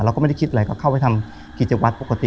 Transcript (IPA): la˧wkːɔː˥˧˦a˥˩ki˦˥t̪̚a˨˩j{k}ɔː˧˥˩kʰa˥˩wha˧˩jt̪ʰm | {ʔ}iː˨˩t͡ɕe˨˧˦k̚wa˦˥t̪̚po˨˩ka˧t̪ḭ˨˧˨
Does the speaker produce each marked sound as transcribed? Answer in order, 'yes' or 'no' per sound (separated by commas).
yes, no